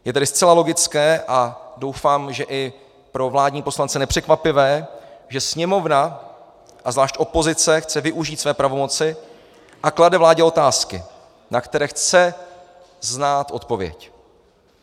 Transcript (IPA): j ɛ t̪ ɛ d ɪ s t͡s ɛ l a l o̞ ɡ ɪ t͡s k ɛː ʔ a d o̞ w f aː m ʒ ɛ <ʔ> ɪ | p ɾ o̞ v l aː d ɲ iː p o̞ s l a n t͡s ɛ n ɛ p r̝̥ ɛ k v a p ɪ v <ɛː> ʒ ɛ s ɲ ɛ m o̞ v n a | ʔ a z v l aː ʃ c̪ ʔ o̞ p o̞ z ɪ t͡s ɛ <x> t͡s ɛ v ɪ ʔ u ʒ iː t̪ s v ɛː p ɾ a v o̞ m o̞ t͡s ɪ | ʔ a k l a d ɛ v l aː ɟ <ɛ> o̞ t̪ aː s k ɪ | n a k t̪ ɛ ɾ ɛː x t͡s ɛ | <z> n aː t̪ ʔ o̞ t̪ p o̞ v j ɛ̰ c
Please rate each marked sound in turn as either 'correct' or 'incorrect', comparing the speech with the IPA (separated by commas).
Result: correct, correct, correct, correct, correct